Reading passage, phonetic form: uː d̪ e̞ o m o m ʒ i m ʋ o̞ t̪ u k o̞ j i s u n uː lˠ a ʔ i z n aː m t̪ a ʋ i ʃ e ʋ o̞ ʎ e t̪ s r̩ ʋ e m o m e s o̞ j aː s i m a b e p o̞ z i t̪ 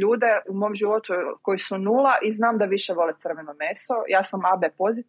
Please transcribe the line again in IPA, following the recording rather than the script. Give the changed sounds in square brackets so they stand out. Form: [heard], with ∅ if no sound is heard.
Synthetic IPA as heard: uː d̪ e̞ [u] m o m ʒ i [∅] ʋ o̞ t̪ u k o̞ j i s u n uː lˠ a ʔ i z n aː m [d̪] a ʋ i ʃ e ʋ o̞ [l] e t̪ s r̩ ʋ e [n] o m e s o̞ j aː s [a] m a b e p o̞ z i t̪